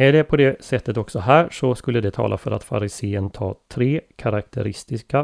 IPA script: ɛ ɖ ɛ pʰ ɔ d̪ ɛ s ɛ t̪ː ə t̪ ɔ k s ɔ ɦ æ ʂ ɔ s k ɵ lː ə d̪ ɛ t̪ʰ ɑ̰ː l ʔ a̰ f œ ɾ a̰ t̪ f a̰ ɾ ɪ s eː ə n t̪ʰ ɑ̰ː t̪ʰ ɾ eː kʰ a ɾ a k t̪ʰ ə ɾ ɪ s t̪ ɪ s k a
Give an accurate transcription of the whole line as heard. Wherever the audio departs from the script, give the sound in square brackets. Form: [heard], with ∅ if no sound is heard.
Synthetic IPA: ɛ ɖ ɛ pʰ ɔ d̪ ɛ s ɛ t̪ː ə t̪ ɔ k s ɔ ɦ [æː] ʂ ɔ s k ɵ lː ə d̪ ɛ t̪ʰ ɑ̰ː l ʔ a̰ f œ ɾ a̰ t̪ f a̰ ɾ ɪ s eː ə n t̪ʰ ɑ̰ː t̪ʰ ɾ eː kʰ a ɾ a k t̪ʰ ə ɾ ɪ s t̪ ɪ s k a